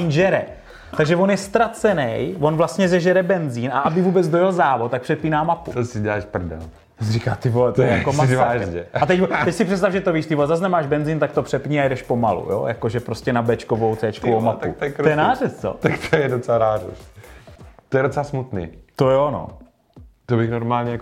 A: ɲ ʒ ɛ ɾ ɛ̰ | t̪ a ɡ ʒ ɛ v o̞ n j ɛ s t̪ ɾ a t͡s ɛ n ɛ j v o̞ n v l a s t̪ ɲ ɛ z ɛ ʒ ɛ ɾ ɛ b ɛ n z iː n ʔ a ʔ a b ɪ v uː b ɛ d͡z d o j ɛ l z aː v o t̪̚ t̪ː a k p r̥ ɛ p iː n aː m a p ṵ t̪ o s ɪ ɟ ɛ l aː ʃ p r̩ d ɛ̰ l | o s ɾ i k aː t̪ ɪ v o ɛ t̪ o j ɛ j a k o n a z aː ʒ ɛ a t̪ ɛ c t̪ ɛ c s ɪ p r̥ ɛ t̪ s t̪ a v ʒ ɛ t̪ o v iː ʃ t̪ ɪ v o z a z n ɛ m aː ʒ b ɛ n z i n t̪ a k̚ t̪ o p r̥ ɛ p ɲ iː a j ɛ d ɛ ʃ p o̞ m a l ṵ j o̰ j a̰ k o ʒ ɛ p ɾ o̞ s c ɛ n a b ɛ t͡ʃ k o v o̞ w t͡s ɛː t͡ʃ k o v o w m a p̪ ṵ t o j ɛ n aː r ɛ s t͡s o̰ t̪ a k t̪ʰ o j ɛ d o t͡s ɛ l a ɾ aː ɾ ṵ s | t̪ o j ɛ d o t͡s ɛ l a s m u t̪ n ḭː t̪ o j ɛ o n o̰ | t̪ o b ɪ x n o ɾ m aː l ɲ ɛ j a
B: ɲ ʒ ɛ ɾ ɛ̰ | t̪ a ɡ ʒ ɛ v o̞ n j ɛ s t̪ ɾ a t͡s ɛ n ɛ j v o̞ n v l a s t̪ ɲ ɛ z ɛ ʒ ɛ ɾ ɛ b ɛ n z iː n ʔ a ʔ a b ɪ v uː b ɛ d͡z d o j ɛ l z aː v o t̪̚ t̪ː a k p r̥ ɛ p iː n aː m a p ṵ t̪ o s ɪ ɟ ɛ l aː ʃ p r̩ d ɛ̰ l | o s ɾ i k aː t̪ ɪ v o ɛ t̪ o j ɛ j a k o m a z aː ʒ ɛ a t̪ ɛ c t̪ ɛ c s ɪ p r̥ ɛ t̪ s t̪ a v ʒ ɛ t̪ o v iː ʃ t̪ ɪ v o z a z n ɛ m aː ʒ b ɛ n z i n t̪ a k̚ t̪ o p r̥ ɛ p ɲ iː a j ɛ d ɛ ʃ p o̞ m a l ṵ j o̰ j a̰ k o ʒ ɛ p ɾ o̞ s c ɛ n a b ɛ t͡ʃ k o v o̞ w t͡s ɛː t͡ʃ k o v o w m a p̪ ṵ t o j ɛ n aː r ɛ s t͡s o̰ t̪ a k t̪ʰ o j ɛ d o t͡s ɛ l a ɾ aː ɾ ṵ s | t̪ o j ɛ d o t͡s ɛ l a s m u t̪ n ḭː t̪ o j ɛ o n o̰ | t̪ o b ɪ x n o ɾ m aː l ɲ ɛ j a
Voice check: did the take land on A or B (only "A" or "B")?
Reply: B